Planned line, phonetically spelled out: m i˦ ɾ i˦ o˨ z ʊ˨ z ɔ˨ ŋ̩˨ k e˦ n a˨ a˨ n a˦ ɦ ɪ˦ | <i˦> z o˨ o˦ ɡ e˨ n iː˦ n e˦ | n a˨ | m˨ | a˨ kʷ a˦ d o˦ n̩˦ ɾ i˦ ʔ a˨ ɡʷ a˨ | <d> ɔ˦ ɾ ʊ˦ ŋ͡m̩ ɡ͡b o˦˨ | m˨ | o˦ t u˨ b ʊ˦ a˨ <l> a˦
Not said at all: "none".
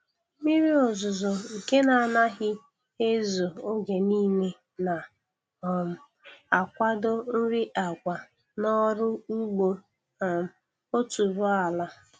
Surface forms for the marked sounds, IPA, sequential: e˦, n, l

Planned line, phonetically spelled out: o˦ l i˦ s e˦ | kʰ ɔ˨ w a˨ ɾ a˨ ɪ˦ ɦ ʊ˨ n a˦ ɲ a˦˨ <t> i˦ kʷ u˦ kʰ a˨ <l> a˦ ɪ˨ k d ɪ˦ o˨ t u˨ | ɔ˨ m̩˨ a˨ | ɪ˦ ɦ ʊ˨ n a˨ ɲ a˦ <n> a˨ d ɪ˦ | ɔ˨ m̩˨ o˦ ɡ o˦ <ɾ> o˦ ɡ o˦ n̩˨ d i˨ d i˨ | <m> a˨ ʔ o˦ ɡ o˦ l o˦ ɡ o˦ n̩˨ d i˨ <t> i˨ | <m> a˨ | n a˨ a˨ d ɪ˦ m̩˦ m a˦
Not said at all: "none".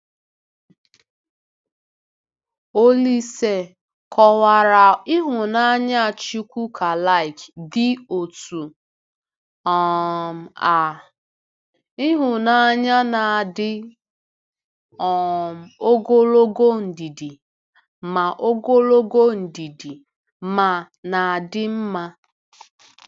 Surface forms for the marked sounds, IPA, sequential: t͡ʃ, l, n, l, m, d, m

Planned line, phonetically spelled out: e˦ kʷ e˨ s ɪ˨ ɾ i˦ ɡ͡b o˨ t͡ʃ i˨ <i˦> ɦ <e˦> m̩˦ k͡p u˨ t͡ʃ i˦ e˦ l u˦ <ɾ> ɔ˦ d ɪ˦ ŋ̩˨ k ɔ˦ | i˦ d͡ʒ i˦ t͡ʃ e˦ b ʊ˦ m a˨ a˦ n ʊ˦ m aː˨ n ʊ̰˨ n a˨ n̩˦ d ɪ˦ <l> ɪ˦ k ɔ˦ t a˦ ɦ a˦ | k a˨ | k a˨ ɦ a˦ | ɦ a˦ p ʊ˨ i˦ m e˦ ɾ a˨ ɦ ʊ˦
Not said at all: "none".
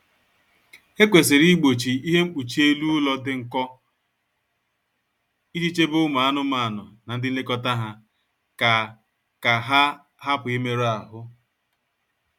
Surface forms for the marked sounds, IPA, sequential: i˦, e˦, l, l

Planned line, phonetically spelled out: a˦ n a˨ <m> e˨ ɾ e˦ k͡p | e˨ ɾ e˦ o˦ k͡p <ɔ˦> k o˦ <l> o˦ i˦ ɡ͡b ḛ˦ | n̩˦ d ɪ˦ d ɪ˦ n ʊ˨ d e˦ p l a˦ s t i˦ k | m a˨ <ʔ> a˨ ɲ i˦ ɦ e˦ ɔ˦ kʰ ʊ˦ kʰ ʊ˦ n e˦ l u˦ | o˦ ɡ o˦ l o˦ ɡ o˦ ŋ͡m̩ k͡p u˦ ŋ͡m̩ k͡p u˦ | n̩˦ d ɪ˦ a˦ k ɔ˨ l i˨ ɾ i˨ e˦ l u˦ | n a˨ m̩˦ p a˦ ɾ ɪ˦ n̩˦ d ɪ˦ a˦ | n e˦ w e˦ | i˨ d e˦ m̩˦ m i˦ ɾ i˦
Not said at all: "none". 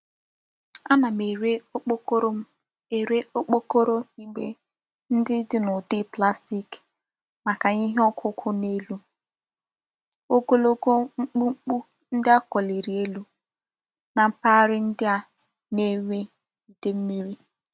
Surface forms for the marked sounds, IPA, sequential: m, o˦, ɾ, k

